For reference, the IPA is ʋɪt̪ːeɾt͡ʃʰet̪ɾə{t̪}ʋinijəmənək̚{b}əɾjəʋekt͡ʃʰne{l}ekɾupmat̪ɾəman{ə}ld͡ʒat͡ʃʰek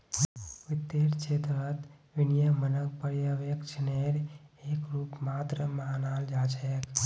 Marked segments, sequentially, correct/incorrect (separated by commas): correct, incorrect, incorrect, incorrect